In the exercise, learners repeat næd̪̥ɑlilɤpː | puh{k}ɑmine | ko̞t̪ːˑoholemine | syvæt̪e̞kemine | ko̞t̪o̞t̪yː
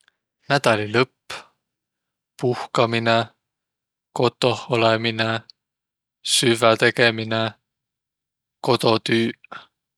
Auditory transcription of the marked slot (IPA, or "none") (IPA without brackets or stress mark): k